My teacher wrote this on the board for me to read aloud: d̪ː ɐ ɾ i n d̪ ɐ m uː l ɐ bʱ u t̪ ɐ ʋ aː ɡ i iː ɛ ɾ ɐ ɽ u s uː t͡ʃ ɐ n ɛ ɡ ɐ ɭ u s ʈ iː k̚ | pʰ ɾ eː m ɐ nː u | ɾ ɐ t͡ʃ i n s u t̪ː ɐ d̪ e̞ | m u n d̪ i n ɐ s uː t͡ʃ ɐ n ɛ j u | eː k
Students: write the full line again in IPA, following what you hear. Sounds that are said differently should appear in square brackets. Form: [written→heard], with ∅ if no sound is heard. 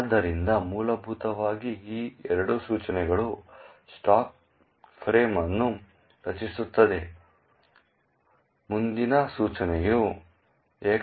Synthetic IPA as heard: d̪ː ɐ ɾ i n d̪ ɐ m uː l ɐ bʱ u t̪ ɐ ʋ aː ɡ i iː ɛ ɾ ɐ ɽ u s uː t͡ʃ ɐ n ɛ ɡ ɐ ɭ u s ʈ [iː→aː] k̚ | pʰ ɾ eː m ɐ nː u | ɾ ɐ t͡ʃ i [n→∅] s u t̪ː ɐ d̪ e̞ | m u n d̪ i n ɐ s uː t͡ʃ ɐ n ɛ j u | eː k

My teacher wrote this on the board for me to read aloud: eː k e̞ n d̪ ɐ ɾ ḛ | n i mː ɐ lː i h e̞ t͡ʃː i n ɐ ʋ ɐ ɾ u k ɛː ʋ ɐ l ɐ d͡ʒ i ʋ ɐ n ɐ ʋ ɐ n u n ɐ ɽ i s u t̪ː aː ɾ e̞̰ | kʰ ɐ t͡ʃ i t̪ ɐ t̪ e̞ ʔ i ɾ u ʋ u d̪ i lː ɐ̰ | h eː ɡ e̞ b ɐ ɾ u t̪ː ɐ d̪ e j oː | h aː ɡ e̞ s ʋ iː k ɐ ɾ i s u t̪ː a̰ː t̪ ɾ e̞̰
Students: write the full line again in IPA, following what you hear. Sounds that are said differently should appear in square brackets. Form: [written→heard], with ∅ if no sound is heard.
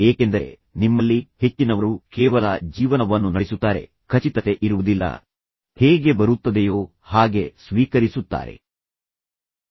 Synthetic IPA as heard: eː k e̞ n d̪ ɐ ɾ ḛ | n i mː ɐ lː i h e̞ t͡ʃː i n ɐ ʋ ɐ ɾ u k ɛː ʋ ɐ l ɐ d͡ʒ [i→iː] ʋ ɐ n ɐ ʋ ɐ [n→nː] u n ɐ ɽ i s u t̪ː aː ɾ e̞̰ | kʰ ɐ t͡ʃ i t̪ ɐ t̪ e̞ ʔ i ɾ u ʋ u d̪ i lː ɐ̰ | h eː ɡ e̞ b ɐ ɾ u t̪ː ɐ d̪ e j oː | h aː ɡ e̞ s ʋ iː k ɐ ɾ i s u t̪ː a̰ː [t̪→∅] ɾ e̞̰

